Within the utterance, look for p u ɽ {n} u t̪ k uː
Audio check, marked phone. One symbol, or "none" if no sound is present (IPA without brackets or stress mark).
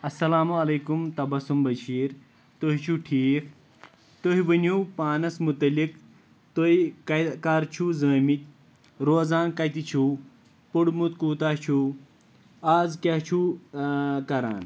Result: m